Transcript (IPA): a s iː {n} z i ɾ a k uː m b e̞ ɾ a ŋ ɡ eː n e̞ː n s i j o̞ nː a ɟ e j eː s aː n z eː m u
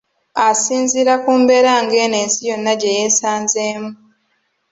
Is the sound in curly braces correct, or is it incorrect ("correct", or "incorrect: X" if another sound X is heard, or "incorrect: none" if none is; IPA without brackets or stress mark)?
correct